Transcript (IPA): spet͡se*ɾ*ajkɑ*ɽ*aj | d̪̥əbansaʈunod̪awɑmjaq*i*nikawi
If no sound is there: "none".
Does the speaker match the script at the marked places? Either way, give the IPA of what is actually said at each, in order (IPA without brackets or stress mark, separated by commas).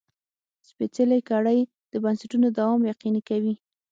l, ɽ, i